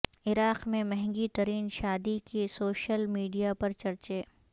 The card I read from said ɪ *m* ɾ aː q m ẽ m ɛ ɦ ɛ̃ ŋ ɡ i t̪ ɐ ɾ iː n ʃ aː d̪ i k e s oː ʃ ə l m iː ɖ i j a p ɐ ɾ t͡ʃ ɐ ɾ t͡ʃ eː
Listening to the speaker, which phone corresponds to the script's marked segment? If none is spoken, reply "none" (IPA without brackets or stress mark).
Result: none